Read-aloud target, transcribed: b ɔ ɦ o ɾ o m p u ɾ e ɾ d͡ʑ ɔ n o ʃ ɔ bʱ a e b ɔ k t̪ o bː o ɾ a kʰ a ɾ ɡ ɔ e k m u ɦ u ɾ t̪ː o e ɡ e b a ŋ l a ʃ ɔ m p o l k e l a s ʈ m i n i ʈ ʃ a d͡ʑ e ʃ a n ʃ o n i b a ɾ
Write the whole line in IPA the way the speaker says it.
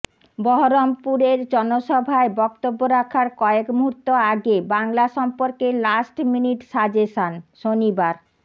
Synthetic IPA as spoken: b ɔ ɦ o ɾ o m p u ɾ e ɾ d͡ʑ ɔ n o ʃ ɔ bʱ a e b ɔ k t̪ o bː o ɾ a kʰ a ɾ k ɔ e k m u ɦ u ɾ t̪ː o a ɡ e b a ŋ l a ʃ ɔ m p o ɾ k e l a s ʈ m i n i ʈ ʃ a d͡ʑ e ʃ a n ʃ o n i b a ɾ